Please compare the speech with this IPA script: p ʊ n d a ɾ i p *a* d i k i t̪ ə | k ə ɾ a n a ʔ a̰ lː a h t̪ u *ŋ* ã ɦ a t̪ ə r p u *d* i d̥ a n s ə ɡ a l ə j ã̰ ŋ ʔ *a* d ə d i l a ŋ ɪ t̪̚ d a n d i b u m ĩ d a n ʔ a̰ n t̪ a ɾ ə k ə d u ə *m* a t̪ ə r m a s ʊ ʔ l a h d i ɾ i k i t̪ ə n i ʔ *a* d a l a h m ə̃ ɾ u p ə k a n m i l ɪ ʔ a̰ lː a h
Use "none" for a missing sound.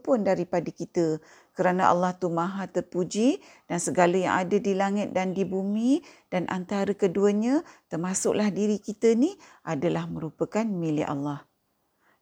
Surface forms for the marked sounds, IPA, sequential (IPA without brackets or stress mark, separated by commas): a, m, d͡ʒ, a, ɲ, a